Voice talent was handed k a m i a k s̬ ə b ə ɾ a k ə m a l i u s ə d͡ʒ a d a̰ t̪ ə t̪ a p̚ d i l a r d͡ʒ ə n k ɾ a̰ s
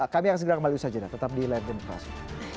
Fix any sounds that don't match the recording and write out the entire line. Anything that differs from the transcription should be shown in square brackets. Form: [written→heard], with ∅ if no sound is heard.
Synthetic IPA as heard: k a m i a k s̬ ə [b→ɡ] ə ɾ a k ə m a l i u s [ə→a] d͡ʒ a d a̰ t̪ ə t̪ a p̚ d i l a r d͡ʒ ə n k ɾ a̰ s